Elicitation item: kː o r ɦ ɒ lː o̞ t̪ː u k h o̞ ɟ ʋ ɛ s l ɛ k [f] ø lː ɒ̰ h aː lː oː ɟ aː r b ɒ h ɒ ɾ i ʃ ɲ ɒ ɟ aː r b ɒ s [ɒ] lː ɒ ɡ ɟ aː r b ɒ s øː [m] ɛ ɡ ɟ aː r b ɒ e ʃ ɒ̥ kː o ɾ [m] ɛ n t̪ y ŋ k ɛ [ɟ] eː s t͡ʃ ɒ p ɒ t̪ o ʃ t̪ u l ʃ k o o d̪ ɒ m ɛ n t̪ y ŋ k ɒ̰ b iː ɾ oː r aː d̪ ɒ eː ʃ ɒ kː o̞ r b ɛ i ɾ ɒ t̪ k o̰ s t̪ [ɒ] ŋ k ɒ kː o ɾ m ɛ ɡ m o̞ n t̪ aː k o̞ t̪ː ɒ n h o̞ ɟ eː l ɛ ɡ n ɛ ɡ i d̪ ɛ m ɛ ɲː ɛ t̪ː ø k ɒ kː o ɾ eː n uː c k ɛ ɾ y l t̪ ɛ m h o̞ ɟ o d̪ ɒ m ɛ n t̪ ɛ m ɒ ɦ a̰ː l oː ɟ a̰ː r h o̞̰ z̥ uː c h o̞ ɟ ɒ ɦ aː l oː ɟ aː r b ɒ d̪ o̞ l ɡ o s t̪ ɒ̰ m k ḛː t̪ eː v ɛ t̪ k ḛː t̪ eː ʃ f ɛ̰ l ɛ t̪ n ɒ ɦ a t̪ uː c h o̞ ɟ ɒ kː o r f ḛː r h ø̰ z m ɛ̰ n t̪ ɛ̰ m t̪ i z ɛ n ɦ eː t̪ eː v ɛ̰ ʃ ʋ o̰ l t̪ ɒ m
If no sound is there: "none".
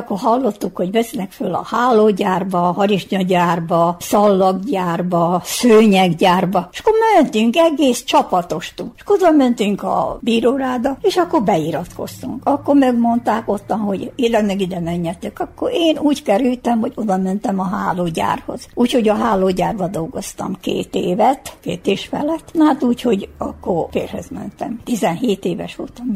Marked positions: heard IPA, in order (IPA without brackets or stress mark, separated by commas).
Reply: f, ɒ, ɲ, m, ɡ, u